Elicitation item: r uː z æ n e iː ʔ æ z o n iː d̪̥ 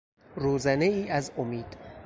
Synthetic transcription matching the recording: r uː z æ n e iː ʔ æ z o m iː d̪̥